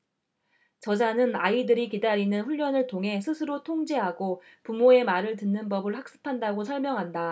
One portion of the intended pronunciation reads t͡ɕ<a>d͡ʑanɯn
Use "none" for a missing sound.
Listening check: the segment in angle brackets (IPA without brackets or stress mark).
ʌ